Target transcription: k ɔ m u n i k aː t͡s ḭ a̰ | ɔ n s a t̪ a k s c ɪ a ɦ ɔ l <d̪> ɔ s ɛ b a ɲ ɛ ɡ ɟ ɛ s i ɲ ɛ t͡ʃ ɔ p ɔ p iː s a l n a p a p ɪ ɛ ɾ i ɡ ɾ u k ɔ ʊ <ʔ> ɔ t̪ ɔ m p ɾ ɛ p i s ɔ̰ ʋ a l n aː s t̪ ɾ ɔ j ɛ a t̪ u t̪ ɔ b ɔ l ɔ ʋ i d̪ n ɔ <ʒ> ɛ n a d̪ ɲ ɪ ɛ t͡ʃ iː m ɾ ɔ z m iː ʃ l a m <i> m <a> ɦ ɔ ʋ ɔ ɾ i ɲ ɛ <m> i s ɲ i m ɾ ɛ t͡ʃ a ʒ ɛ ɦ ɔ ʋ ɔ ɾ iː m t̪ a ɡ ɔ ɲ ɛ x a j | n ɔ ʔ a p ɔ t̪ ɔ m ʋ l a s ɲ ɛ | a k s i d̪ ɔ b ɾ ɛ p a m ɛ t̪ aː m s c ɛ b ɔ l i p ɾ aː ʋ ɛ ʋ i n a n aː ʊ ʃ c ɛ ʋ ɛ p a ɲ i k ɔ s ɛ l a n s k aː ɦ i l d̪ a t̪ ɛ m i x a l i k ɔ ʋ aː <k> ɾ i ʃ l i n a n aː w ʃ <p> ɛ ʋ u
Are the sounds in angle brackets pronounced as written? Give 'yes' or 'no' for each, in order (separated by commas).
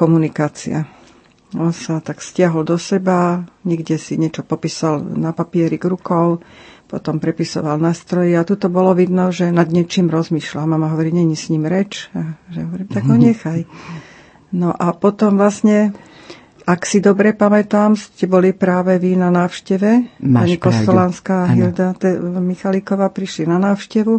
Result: yes, no, yes, no, yes, no, no, no